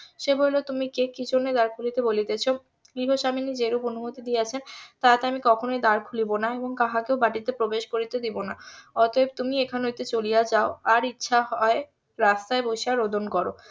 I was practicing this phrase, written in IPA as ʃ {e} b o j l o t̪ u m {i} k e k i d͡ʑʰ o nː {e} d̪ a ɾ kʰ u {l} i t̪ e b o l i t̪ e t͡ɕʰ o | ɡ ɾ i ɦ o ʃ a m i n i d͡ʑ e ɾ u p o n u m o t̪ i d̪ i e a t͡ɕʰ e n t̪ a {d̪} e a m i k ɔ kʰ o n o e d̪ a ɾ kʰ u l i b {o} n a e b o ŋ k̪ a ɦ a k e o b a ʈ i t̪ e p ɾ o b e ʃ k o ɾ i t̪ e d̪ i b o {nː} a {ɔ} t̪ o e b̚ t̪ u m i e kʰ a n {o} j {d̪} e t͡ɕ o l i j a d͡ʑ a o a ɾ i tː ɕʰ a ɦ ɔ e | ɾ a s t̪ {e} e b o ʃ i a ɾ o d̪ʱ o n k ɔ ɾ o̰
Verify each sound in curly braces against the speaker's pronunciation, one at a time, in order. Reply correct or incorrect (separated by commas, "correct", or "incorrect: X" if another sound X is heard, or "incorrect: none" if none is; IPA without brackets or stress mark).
correct, correct, correct, correct, incorrect: t̪, correct, incorrect: n, correct, correct, incorrect: t̪, incorrect: a